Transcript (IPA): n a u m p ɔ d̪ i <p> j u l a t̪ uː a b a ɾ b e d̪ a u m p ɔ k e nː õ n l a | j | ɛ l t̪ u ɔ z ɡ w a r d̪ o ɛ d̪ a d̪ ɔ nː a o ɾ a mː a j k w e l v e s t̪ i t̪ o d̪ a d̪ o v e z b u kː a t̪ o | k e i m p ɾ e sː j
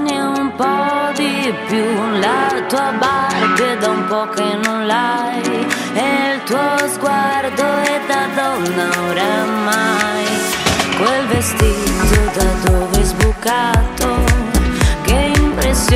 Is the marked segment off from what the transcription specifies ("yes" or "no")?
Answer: no